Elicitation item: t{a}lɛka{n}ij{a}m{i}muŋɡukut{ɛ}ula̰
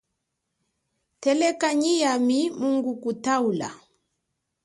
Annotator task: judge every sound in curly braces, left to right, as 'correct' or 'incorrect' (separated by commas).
incorrect, incorrect, correct, correct, incorrect